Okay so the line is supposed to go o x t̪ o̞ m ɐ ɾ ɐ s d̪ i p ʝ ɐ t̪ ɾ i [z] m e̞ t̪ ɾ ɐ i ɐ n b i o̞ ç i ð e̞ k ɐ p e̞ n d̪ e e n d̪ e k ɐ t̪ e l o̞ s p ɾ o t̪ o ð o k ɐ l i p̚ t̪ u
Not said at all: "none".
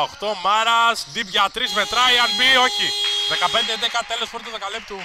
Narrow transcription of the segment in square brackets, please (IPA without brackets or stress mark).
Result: z